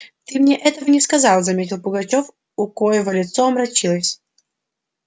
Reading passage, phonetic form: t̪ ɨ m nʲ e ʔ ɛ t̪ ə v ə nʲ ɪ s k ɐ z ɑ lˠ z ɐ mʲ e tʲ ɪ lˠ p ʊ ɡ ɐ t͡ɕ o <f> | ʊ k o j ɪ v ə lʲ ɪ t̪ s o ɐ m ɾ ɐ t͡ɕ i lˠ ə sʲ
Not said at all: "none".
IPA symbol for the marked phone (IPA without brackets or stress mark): f